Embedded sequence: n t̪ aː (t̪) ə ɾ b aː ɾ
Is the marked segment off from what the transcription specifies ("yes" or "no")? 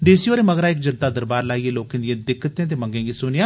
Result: yes